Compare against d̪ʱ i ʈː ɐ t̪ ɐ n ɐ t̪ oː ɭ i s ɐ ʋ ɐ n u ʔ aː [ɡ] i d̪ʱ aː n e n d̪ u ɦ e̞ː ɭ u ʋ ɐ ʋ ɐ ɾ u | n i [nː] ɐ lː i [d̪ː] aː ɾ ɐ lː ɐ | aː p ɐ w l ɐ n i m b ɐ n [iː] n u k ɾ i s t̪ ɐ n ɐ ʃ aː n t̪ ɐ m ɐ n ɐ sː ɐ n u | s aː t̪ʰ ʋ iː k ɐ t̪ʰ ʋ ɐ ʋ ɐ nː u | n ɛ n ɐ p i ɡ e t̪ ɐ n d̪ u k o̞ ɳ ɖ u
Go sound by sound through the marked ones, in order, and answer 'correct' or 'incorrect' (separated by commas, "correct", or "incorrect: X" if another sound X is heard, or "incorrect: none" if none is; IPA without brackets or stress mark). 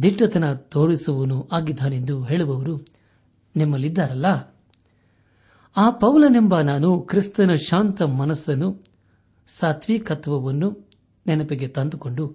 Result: correct, incorrect: mː, correct, incorrect: aː